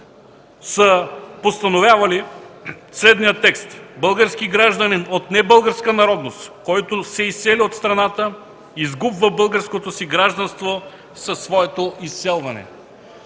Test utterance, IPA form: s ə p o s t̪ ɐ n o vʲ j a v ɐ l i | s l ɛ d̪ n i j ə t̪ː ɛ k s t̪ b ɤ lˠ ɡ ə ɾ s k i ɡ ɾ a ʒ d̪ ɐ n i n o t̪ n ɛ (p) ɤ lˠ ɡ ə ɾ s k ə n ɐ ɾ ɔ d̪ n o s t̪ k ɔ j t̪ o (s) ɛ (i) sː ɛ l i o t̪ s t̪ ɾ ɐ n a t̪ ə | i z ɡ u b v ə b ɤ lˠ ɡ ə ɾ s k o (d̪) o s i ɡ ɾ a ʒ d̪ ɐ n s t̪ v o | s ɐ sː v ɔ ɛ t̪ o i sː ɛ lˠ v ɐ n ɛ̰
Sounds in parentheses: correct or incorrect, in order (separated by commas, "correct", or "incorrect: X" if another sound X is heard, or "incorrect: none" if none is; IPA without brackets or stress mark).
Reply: incorrect: b, correct, correct, incorrect: t̪